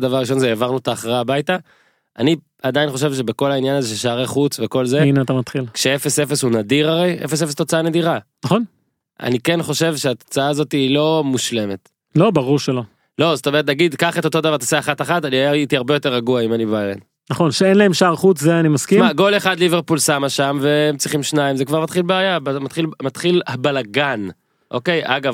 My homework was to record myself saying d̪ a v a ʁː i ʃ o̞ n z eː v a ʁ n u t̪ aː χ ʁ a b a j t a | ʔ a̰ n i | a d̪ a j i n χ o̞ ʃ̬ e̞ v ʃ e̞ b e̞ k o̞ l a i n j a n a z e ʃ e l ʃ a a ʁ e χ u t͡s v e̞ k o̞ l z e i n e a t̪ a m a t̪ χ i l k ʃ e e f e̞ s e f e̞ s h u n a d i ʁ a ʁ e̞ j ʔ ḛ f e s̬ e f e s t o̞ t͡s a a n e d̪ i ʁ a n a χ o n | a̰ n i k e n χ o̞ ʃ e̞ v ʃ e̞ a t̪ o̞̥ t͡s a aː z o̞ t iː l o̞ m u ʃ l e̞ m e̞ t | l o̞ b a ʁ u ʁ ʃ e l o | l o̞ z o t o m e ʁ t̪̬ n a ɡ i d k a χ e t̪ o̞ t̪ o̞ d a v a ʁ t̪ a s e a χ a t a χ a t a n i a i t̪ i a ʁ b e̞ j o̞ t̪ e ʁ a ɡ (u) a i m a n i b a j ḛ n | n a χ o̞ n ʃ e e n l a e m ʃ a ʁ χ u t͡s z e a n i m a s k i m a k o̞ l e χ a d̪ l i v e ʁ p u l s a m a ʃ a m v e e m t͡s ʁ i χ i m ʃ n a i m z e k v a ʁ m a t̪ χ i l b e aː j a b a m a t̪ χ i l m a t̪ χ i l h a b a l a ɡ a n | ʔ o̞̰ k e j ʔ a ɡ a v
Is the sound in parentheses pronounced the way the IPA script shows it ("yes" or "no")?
yes